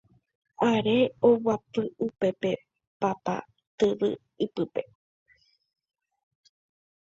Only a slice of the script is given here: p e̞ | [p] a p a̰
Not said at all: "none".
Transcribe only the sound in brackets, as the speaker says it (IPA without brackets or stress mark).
p